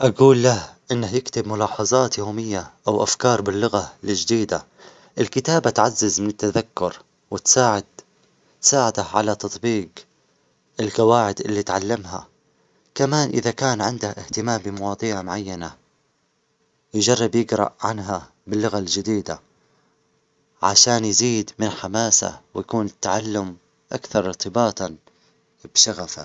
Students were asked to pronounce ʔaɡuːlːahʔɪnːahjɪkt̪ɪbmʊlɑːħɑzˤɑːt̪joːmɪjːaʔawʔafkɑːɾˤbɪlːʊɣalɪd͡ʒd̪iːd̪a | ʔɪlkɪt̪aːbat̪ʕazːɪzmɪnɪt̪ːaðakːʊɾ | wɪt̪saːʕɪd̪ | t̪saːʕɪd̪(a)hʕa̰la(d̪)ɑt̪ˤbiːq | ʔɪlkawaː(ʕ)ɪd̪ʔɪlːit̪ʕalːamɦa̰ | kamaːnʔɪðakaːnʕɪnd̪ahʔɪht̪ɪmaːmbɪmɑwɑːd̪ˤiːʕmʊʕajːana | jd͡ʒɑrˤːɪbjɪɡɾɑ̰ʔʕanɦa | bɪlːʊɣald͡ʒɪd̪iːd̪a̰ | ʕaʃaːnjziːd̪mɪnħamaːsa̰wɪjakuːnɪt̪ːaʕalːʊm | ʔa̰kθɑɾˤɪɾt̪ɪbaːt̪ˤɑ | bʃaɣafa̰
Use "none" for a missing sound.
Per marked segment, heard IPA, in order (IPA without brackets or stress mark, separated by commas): a, t̪, ʕ